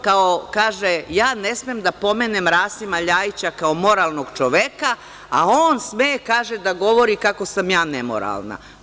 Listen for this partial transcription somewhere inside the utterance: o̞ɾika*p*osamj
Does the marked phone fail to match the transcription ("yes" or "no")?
yes